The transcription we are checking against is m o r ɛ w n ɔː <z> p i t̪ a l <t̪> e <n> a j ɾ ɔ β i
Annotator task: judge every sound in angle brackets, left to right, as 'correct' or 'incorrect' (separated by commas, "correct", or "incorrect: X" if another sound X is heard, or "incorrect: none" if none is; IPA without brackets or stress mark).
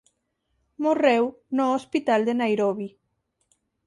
incorrect: s, incorrect: d̪, correct